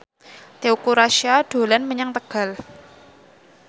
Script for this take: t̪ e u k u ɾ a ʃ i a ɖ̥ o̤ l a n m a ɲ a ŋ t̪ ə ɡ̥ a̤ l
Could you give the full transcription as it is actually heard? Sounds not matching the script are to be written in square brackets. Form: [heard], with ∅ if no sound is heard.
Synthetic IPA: t̪ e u k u ɾ a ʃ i a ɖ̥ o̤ l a n m [ə] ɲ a ŋ t̪ ə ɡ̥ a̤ l